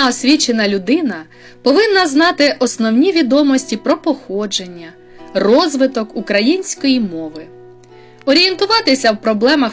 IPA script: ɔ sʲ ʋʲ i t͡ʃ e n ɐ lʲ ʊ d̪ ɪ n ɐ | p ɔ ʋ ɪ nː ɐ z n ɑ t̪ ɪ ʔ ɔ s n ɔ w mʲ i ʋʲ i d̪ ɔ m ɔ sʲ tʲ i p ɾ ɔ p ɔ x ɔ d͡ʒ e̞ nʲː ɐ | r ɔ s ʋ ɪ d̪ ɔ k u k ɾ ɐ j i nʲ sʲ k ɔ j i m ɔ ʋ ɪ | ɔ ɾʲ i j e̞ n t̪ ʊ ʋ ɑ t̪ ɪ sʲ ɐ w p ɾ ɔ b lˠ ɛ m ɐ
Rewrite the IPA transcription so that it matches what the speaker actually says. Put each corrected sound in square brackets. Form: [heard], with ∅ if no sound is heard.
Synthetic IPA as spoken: ɔ sʲ ʋʲ i t͡ʃ e n ɐ lʲ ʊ d̪ ɪ n ɐ | p ɔ ʋ ɪ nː ɐ z n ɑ t̪ ɪ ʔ ɔ s n ɔ w [nʲ] i ʋʲ i d̪ ɔ m ɔ sʲ tʲ i p ɾ ɔ p ɔ x ɔ d͡ʒ e̞ nʲː ɐ | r ɔ [z] ʋ ɪ [t̪] ɔ k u k ɾ ɐ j i nʲ sʲ k ɔ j i m ɔ ʋ ɪ | ɔ ɾʲ i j e̞ n t̪ ʊ ʋ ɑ t̪ ɪ sʲ ɐ w p ɾ ɔ b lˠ ɛ m ɐ